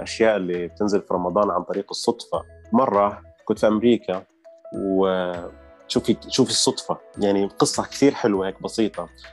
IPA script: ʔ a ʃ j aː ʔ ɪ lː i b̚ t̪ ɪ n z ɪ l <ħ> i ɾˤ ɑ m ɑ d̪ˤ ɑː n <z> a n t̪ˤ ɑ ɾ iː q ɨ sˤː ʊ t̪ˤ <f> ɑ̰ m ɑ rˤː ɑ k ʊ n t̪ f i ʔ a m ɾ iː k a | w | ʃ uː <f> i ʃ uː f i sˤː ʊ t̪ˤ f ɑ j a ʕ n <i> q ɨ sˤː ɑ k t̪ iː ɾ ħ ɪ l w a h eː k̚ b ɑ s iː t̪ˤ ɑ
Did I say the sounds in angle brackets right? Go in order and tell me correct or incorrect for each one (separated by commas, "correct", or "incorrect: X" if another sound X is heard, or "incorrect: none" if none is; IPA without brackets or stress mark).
incorrect: f, incorrect: ʕ, correct, correct, correct